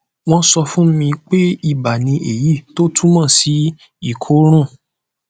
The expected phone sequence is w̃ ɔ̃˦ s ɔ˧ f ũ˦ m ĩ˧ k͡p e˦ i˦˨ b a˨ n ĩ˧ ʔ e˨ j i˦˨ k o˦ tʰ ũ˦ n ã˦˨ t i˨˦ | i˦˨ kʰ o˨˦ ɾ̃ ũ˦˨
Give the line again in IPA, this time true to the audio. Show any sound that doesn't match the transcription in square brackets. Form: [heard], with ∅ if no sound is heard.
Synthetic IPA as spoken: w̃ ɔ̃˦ s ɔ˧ f ũ˦ m ĩ˧ k͡p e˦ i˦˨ b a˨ n ĩ˧ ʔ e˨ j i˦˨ [t] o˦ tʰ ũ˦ [m] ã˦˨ [s] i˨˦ | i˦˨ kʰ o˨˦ ɾ̃ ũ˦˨